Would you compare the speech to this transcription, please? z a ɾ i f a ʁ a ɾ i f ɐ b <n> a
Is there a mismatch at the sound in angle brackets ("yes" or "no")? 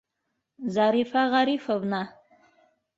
no